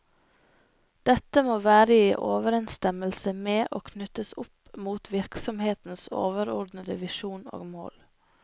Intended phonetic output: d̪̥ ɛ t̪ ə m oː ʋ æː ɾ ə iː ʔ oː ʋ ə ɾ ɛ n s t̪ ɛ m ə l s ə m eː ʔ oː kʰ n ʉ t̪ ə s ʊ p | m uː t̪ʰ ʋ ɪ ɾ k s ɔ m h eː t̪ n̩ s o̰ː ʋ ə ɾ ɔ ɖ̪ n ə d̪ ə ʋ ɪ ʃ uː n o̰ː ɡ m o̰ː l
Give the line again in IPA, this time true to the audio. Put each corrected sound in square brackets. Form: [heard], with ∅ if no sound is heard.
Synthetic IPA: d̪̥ ɛ t̪ ə m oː ʋ æː ɾ ə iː ʔ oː ʋ ə ɾ ɛ n s t̪ ɛ m ə l s ə m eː ʔ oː kʰ n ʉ t̪ ə s ʊ p | m uː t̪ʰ ʋ ɪ ɾ k s ɔ m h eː t̪ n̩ s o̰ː ʋ ə ɾ ɔ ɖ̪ n ə d̪ ə ʋ ɪ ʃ uː n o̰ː ɡ m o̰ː l